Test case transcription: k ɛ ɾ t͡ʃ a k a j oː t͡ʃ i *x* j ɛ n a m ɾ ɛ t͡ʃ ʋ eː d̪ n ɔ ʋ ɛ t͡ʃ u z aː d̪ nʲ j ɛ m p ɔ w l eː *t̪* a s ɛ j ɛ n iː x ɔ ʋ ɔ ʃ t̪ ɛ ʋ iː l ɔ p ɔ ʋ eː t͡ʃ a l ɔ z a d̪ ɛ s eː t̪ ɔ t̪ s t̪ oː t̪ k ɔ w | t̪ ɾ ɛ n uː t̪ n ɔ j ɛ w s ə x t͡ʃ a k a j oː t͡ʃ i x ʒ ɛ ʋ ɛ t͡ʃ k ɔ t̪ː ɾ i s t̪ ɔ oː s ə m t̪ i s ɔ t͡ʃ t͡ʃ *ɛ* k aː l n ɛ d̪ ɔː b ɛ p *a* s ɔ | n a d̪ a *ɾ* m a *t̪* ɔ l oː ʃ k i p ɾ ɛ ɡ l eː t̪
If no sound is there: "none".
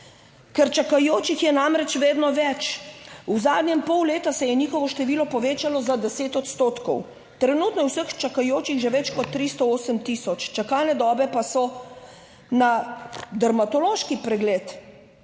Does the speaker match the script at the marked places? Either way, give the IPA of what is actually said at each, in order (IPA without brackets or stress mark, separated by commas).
x, t̪, a, a, ɾ, t̪